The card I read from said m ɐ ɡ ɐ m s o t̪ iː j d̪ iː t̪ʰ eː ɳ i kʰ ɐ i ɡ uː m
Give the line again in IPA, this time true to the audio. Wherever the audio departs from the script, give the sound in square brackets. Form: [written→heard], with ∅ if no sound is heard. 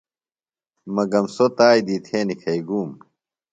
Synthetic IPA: m ɐ ɡ ɐ m s o t̪ [iː→aː] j d̪ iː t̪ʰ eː [ɳ→n] i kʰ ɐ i ɡ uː m